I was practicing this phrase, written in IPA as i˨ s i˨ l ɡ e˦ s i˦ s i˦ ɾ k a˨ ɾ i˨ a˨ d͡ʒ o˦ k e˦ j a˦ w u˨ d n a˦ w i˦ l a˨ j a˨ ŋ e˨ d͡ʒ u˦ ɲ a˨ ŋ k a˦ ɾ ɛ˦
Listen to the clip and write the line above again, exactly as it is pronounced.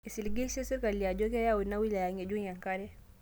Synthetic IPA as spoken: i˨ s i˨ l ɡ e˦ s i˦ s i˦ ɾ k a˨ l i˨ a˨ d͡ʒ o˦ k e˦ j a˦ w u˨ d n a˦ w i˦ l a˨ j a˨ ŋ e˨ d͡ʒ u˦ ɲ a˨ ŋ k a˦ ɾ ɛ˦